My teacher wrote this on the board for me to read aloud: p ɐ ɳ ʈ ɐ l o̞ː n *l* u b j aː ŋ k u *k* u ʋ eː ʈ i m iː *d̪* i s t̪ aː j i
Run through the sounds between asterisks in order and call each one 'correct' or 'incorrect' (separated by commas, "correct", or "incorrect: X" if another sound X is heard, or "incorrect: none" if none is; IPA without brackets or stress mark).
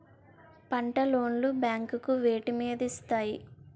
correct, correct, correct